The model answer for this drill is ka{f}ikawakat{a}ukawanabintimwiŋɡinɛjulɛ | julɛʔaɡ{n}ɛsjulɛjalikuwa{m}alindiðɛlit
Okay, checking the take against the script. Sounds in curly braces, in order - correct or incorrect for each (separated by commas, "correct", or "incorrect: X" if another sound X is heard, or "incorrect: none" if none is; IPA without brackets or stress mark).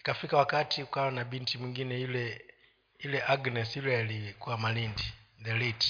correct, incorrect: i, correct, correct